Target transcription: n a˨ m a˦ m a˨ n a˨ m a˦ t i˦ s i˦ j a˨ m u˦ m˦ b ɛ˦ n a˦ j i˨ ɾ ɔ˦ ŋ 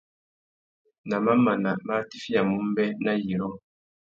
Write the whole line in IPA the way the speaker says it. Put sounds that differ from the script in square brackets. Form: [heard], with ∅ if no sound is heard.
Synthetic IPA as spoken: n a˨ m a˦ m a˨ n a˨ m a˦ t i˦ [f] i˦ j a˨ m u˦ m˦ b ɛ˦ n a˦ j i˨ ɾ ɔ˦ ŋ